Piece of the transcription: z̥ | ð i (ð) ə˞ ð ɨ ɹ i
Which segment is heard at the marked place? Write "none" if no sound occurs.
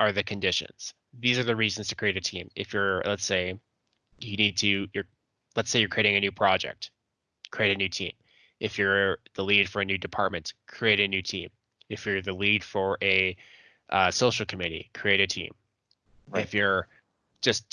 z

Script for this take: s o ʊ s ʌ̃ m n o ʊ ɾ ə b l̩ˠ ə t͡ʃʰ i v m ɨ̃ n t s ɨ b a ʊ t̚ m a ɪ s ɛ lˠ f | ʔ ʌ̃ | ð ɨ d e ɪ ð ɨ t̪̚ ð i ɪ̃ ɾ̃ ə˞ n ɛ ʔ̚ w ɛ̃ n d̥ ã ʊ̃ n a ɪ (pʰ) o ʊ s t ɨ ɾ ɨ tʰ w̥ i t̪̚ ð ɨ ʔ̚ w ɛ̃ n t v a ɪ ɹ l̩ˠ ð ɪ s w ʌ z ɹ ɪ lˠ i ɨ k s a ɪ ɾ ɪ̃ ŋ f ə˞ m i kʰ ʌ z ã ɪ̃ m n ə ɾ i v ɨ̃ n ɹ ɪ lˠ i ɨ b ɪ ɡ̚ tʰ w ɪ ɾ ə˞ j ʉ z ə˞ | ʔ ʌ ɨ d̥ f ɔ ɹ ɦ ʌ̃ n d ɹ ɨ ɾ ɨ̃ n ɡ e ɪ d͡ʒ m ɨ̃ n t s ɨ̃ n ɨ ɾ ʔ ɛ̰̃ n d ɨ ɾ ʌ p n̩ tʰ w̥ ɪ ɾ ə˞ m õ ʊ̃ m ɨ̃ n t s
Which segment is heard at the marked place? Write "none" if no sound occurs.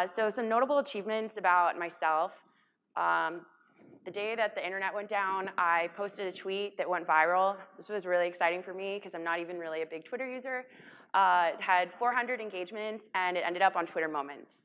pʰ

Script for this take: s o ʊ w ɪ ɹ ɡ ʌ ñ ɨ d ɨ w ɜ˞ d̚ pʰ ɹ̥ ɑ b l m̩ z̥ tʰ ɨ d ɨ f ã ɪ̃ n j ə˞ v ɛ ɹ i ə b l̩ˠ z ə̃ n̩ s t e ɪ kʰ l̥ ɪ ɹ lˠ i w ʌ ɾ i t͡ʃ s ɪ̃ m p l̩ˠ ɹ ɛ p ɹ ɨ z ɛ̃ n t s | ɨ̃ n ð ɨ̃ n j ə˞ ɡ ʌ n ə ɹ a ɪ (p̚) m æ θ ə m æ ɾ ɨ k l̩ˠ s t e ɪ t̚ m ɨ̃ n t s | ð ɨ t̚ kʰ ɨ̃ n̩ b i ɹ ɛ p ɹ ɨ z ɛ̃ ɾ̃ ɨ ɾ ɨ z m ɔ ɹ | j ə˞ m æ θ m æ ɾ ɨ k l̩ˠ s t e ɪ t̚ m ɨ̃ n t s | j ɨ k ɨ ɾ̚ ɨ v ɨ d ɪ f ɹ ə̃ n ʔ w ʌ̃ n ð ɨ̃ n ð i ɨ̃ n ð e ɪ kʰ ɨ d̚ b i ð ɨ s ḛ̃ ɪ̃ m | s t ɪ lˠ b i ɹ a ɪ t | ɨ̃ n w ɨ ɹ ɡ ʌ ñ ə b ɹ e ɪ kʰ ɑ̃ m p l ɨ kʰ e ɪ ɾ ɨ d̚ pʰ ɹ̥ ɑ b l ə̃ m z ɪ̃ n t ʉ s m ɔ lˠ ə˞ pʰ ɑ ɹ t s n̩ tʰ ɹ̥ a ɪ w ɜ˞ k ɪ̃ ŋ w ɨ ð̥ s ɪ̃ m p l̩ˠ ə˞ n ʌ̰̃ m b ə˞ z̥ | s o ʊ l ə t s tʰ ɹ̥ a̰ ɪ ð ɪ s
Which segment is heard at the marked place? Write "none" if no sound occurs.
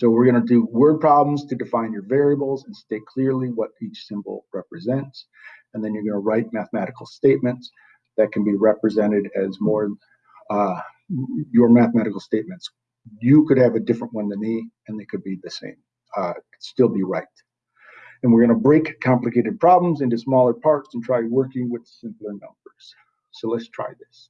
t̚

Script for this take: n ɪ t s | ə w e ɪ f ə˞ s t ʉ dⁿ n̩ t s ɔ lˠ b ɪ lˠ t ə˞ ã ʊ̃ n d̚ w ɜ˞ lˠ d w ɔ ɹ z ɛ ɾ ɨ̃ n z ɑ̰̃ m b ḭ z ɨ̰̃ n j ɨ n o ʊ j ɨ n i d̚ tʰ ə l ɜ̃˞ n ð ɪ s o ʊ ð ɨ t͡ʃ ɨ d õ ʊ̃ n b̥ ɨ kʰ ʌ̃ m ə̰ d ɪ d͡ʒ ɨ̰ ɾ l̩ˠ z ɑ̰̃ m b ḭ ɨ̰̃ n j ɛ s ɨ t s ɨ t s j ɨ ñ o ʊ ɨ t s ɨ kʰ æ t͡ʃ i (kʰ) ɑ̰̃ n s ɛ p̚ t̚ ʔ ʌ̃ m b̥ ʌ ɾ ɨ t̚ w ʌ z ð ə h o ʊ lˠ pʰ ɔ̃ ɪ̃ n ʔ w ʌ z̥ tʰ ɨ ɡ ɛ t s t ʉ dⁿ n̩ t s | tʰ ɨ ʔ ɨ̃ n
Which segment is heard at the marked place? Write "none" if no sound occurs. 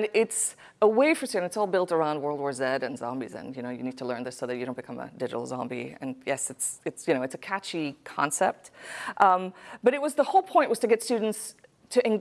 kʰ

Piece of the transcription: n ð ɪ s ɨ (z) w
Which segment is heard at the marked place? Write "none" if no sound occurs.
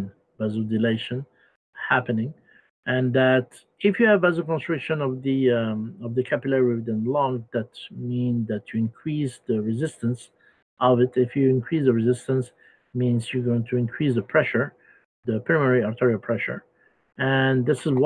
z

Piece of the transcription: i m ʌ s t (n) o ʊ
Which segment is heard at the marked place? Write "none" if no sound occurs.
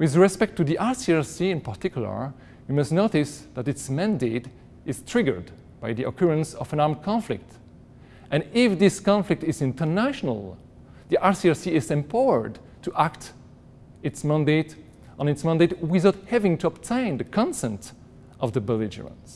n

